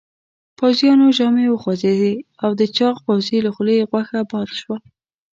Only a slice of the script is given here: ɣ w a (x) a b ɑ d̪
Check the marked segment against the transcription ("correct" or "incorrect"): correct